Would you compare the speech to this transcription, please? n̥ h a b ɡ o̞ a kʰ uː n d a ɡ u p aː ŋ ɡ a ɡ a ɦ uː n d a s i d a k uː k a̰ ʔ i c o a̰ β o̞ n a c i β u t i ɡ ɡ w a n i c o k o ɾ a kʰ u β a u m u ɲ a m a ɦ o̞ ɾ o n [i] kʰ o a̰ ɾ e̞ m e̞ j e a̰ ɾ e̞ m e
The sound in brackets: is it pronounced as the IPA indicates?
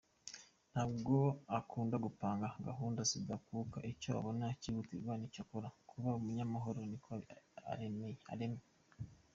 yes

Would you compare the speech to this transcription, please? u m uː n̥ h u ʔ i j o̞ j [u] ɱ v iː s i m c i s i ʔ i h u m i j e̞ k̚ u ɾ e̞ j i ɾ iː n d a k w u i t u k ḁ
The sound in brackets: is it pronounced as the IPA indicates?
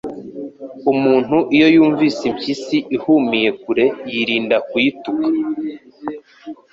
no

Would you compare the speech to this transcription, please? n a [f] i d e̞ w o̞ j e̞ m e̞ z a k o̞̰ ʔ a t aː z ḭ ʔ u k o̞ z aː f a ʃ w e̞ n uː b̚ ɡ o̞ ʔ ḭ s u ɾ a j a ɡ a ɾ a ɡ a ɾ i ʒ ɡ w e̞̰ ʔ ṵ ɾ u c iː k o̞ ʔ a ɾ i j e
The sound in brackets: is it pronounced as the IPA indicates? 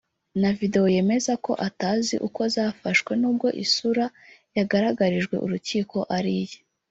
no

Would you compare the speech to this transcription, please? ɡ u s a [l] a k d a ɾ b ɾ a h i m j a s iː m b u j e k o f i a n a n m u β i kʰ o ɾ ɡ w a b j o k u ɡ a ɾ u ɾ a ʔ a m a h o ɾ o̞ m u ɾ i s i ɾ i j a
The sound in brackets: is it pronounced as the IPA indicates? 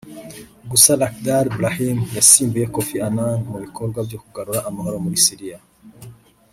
yes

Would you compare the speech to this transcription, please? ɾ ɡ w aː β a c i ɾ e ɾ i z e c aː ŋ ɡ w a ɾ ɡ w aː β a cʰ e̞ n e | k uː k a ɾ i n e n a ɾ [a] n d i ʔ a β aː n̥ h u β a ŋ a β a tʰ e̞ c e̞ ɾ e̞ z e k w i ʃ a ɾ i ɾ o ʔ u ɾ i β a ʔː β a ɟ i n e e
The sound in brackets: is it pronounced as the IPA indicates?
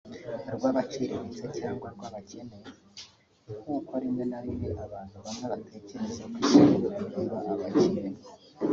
no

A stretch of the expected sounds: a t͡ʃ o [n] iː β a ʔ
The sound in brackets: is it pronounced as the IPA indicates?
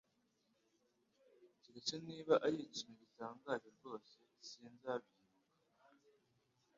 yes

